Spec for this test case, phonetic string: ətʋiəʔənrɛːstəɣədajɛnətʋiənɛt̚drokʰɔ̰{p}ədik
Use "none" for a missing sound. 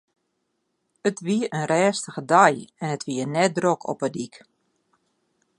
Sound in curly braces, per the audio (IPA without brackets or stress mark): p